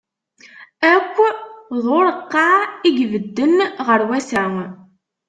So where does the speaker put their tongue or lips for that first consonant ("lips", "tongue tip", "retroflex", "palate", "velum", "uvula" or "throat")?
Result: velum